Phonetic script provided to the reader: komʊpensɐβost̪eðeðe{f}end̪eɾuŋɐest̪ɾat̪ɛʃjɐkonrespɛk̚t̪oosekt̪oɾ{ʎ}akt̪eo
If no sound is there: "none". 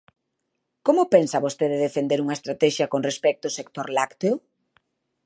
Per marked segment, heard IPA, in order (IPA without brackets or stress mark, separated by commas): f, l